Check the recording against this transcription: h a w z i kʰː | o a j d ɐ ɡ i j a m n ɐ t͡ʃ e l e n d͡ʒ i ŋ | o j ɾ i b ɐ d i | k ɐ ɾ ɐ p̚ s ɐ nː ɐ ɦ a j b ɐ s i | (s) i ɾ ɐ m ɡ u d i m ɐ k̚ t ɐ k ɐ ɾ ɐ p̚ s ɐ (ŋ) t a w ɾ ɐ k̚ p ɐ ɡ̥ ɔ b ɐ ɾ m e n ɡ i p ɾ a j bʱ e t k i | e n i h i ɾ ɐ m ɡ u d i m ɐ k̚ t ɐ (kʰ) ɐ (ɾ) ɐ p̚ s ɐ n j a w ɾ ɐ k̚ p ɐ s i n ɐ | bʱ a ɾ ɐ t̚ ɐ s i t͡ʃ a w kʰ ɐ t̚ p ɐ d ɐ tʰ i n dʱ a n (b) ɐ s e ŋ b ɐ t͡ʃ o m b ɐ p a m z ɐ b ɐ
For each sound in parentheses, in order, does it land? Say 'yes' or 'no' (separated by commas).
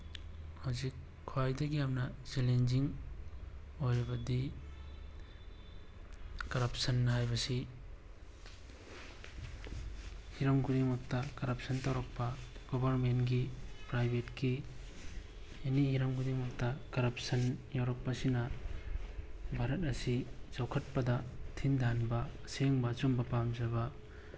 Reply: no, no, no, yes, yes